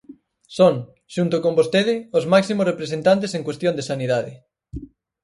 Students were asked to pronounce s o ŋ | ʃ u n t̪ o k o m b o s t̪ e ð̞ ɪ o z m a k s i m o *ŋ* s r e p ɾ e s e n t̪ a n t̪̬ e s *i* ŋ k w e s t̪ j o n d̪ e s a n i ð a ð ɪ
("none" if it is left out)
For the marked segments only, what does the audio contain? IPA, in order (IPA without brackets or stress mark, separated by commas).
none, e